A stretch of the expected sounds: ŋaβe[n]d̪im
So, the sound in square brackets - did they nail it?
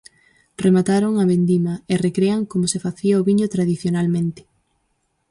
yes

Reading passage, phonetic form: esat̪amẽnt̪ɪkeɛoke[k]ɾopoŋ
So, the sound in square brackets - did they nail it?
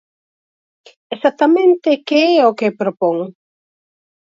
no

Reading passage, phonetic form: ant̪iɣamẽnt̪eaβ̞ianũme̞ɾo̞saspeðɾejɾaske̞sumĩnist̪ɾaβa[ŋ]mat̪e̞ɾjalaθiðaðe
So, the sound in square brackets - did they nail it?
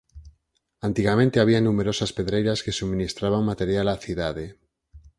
yes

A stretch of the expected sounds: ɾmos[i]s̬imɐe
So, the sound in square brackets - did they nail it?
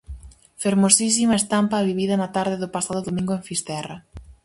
yes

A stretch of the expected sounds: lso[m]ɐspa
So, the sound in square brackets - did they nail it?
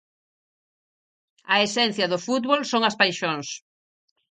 no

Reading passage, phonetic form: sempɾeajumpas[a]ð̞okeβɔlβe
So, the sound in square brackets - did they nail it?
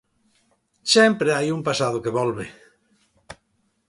yes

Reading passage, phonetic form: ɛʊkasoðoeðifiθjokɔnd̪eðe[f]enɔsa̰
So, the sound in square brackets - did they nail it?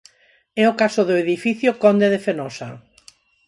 yes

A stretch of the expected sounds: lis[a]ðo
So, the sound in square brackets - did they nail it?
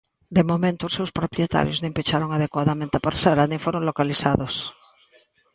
yes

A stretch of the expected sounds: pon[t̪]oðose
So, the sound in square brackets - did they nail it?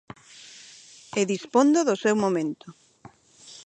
no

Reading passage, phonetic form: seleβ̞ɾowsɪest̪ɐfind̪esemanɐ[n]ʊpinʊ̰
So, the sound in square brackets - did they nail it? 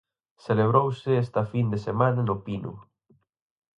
yes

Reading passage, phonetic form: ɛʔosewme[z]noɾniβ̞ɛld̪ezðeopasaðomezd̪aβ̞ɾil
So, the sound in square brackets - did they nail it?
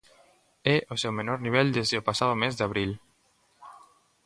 no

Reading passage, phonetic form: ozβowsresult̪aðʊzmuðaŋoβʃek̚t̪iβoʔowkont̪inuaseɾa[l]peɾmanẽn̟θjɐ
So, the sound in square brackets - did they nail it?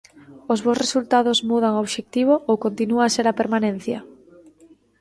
no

